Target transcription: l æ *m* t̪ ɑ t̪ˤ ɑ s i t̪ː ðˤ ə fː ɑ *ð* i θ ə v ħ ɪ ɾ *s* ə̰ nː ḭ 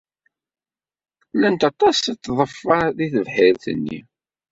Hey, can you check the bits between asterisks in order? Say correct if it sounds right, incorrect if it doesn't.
incorrect, correct, incorrect

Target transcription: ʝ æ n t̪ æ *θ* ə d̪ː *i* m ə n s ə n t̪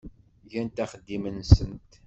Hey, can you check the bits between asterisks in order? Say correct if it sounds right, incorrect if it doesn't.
incorrect, correct

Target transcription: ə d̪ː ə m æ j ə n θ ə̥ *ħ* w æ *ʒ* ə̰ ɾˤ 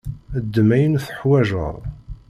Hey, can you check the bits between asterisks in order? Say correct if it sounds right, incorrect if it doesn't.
correct, correct

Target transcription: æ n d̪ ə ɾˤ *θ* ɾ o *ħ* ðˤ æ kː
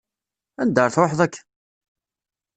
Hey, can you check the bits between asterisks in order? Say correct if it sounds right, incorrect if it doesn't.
correct, correct

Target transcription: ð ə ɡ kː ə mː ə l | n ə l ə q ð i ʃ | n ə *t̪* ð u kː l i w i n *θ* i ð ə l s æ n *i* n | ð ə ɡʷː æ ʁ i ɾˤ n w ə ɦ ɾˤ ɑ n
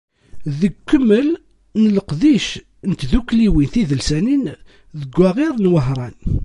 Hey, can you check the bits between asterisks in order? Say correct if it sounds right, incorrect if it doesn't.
correct, correct, correct

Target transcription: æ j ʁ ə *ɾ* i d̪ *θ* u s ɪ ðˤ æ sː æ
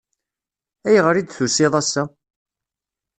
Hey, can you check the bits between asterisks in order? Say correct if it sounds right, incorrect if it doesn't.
correct, correct

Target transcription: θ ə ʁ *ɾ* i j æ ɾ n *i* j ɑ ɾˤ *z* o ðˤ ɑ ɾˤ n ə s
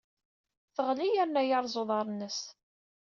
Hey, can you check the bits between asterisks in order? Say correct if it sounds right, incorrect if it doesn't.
incorrect, incorrect, correct

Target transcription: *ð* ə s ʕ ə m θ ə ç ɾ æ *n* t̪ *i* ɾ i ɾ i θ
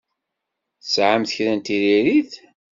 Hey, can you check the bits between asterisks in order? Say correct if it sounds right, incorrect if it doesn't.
incorrect, correct, correct

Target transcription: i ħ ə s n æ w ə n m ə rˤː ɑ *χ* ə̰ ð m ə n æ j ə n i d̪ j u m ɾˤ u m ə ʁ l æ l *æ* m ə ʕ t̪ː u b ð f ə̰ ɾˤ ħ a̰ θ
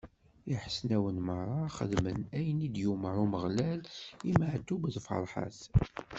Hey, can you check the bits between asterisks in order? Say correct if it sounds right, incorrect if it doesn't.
correct, incorrect

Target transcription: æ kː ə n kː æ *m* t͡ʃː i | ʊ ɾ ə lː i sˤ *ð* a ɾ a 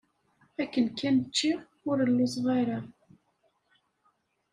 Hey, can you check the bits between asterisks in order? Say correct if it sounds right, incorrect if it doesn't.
incorrect, incorrect

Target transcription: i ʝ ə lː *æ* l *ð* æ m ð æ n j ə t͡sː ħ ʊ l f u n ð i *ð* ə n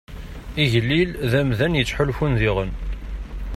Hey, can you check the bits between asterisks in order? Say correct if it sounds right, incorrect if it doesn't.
incorrect, correct, incorrect

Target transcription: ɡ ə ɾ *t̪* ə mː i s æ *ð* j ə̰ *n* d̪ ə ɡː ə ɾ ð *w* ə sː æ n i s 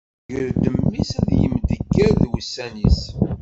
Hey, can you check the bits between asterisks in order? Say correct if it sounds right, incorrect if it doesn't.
incorrect, correct, incorrect, correct

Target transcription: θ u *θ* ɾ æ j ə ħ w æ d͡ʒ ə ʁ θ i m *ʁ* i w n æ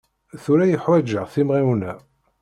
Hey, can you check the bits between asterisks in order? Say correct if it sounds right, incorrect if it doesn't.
incorrect, correct

